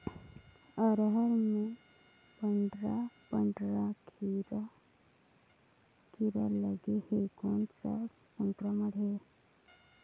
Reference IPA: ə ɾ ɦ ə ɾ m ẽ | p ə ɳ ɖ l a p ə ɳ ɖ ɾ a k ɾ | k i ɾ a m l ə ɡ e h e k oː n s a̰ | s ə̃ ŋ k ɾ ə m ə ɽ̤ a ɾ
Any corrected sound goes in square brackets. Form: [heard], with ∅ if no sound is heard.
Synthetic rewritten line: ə ɾ ɦ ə ɾ m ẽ | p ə ɳ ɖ [ɾ] a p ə ɳ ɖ ɾ a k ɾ | k i ɾ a [∅] l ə ɡ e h e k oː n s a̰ | s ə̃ ŋ k ɾ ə m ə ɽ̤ [e] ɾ

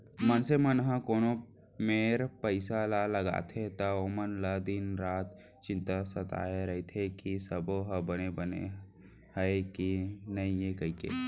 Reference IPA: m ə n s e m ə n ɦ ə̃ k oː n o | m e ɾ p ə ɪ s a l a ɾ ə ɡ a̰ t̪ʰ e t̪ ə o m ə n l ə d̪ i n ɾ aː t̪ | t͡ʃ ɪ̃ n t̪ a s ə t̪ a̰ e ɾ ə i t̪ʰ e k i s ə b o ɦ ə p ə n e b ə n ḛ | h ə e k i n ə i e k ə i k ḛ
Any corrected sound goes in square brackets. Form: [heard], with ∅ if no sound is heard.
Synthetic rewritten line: m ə n s e m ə n ɦ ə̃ k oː n o | m e ɾ p ə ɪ s a l a [l] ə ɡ a̰ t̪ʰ e t̪ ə o m ə n l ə d̪ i n ɾ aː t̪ | t͡ʃ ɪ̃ n t̪ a s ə t̪ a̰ e ɾ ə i t̪ʰ e k i s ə b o ɦ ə [b] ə n e b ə n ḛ | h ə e k i n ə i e k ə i k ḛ

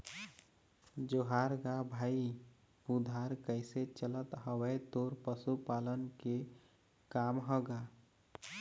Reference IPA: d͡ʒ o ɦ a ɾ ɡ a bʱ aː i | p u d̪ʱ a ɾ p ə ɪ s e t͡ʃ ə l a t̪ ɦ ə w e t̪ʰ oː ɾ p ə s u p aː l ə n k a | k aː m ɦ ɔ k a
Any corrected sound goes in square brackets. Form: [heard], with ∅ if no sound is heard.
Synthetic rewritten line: d͡ʒ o ɦ a ɾ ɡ a bʱ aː i | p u d̪ʱ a ɾ [k] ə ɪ s e t͡ʃ ə l [ə] t̪ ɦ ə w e [t̪] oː ɾ p ə s u p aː l ə n k [e] | k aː m ɦ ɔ [ɡ] a

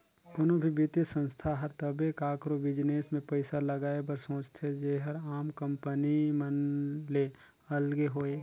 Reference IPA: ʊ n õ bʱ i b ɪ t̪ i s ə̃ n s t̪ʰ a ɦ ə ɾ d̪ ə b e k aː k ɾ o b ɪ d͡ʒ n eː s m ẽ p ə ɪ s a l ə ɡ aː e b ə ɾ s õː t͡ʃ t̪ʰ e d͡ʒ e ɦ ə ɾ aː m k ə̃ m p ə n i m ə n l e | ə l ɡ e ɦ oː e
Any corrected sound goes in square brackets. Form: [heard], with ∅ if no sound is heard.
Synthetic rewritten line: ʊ n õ bʱ i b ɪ t̪ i s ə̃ n s t̪ʰ a ɦ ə ɾ [t̪] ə b e k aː k ɾ o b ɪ d͡ʒ n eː s m ẽ p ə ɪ s a l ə ɡ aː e b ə ɾ s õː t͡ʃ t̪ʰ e d͡ʒ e ɦ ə ɾ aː m k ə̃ m p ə n i m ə n l e | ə l ɡ e ɦ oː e

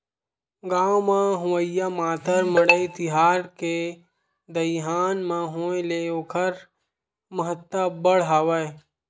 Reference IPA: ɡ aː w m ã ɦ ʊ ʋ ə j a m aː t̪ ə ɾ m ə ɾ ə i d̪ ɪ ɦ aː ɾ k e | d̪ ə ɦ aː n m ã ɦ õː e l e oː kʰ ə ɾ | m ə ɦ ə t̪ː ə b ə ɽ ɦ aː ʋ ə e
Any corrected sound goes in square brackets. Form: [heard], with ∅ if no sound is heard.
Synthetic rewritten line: ɡ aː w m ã ɦ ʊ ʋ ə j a m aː t̪ ə ɾ m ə [ɽ] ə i [t̪] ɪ ɦ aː ɾ k e | d̪ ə ɦ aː n m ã ɦ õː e l e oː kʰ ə ɾ | m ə ɦ ə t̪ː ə b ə ɽ ɦ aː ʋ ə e

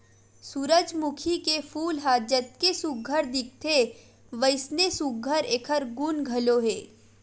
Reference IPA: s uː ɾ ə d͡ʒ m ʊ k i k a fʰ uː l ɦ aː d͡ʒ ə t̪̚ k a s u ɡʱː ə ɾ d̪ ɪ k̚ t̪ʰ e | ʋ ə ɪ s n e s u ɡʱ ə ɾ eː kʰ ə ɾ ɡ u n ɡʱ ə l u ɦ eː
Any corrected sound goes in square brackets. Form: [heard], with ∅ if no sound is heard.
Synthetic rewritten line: s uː ɾ ə d͡ʒ m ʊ [kʰ] i k [e] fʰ uː l ɦ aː d͡ʒ ə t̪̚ k [e] s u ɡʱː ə ɾ d̪ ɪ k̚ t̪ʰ e | ʋ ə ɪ s n e s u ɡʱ ə ɾ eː kʰ ə ɾ ɡ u n ɡʱ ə l [o] ɦ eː

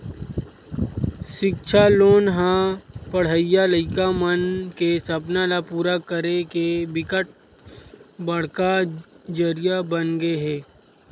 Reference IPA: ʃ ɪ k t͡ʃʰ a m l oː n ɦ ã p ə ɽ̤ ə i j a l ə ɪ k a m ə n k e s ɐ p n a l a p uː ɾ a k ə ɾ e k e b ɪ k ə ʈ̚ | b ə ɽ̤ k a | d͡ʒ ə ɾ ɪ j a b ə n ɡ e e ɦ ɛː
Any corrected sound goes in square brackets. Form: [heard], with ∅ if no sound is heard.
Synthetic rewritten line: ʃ ɪ k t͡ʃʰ a [∅] l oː n ɦ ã p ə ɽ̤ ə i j a l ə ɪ k a m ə n k e s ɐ p n a l a p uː ɾ a k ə ɾ e k e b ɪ k ə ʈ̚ | b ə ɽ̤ k a | d͡ʒ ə ɾ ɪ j a b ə n ɡ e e ɦ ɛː

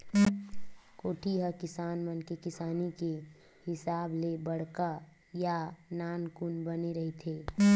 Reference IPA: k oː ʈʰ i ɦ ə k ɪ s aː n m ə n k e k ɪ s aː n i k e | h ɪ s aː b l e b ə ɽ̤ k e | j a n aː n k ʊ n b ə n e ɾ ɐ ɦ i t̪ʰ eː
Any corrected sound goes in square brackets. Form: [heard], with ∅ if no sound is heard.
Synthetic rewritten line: k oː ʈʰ i ɦ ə k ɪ s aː n m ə n k e k ɪ s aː n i k e | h ɪ s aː b l e b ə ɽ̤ k [a] | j a n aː n k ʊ n b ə n e ɾ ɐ ɦ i t̪ʰ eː

